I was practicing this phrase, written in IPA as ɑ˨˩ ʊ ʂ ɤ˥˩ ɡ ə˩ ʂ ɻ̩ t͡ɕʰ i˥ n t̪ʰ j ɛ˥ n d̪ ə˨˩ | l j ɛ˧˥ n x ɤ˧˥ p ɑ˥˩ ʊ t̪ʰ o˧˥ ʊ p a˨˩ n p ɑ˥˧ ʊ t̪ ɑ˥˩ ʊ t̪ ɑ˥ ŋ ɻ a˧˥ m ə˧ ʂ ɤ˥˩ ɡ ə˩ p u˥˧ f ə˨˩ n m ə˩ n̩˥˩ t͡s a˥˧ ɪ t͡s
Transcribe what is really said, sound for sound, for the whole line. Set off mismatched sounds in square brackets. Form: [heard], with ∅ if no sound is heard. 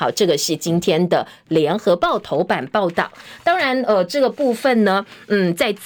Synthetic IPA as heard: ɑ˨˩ ʊ [ʈ͡ʂ] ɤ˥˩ ɡ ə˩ ʂ ɻ̩ [t͡ɕ] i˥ n t̪ʰ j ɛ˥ n d̪ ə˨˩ | l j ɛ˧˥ n x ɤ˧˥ p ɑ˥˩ ʊ t̪ʰ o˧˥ ʊ p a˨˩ n p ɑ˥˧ ʊ t̪ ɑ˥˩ ʊ t̪ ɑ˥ ŋ ɻ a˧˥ [n] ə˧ [ʈ͡ʂ] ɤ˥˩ ɡ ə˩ p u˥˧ f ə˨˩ n [n] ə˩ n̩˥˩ t͡s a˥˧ ɪ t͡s